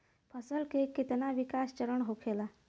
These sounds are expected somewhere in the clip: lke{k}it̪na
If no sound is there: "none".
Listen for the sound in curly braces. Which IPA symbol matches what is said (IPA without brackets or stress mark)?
k